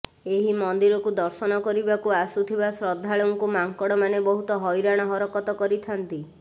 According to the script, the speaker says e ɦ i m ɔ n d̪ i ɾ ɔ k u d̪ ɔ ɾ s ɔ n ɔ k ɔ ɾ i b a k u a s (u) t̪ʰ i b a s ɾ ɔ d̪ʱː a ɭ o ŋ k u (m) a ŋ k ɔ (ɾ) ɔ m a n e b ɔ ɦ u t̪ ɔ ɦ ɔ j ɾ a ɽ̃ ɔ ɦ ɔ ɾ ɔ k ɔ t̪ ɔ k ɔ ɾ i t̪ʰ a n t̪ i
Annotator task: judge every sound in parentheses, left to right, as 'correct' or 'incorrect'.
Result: correct, correct, incorrect: ɽ

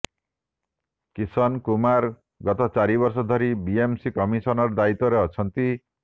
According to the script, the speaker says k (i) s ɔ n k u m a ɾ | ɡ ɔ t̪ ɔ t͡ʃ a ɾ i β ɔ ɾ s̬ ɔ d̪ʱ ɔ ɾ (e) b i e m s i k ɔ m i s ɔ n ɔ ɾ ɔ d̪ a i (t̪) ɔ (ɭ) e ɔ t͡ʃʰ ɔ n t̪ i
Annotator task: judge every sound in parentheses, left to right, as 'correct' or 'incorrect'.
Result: correct, incorrect: i, correct, incorrect: ɾ

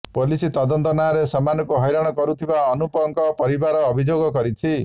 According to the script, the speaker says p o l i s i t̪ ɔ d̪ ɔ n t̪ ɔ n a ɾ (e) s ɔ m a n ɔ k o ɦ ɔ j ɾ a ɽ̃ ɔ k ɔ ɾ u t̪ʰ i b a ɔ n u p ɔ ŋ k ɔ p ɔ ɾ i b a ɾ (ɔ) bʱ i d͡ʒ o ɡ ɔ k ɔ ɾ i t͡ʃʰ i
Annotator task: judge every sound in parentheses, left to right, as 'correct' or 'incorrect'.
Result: correct, incorrect: ɔː

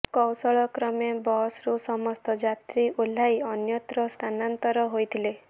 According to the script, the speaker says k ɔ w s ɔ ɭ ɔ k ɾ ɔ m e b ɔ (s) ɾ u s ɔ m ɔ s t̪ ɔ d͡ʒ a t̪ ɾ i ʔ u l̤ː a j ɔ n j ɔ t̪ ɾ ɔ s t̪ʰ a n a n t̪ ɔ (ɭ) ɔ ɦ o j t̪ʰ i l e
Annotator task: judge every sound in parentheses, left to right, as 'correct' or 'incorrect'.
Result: correct, incorrect: ɾ

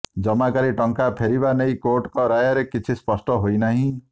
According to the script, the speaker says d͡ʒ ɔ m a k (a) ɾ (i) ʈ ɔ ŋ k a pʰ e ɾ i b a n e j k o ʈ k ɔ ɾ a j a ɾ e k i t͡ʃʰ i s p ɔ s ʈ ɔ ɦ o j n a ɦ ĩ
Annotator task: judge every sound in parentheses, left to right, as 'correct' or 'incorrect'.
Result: correct, correct

